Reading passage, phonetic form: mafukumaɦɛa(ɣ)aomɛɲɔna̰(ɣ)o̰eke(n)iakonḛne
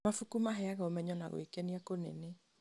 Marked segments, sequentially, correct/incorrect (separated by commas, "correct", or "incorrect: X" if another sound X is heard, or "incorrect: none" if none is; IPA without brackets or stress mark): correct, correct, correct